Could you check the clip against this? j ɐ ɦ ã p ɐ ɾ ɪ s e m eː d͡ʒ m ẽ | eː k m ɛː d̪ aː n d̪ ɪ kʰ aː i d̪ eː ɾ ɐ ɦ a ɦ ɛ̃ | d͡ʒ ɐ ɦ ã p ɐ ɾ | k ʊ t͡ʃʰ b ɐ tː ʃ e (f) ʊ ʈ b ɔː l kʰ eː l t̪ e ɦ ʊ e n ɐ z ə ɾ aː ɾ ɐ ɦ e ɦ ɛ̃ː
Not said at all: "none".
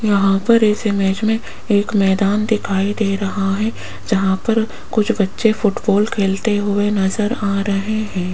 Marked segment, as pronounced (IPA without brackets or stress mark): f